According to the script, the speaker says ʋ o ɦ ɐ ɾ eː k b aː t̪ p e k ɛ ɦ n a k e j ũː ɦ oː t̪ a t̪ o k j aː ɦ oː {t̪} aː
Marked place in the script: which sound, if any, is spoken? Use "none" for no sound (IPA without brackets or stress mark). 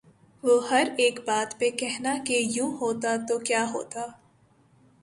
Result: t̪